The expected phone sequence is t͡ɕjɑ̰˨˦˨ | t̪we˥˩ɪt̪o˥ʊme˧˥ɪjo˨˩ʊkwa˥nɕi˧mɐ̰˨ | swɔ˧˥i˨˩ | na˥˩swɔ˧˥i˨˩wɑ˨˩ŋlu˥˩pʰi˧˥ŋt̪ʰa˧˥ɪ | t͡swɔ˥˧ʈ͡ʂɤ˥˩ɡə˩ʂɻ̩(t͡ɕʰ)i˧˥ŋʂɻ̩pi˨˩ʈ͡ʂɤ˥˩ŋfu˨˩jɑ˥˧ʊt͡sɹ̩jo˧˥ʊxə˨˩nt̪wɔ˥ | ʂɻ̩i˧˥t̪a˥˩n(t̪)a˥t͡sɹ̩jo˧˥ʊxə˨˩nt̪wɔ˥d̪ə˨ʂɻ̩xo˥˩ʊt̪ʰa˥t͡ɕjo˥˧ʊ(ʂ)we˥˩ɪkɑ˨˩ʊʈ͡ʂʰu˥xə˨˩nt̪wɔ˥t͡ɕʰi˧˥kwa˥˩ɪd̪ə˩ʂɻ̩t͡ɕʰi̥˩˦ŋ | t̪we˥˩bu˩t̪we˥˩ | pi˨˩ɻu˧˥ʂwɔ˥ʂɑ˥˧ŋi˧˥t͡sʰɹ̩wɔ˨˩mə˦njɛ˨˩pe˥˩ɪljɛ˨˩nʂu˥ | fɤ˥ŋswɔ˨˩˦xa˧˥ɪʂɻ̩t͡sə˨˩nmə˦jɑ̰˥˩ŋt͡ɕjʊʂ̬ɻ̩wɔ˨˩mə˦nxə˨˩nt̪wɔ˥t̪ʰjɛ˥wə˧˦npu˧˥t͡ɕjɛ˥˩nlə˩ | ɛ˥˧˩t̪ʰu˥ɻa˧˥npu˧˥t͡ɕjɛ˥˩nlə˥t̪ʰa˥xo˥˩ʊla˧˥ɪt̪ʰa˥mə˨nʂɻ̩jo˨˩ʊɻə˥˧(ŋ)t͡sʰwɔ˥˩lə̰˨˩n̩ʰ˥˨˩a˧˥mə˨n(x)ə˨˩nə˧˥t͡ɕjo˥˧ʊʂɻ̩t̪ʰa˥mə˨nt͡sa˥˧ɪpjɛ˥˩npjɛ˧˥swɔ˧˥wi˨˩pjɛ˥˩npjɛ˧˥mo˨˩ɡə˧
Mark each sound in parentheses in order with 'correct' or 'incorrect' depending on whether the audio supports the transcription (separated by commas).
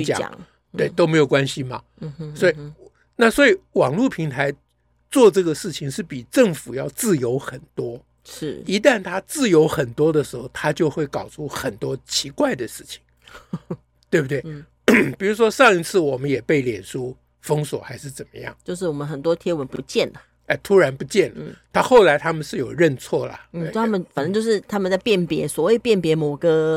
correct, incorrect, incorrect, incorrect, incorrect